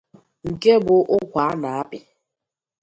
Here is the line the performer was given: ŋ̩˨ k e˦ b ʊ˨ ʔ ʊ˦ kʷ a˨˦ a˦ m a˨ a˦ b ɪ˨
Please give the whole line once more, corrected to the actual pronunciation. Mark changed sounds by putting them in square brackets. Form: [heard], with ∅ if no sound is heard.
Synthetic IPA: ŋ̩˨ k e˦ b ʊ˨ ʔ ʊ˦ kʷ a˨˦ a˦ [n] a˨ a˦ [p] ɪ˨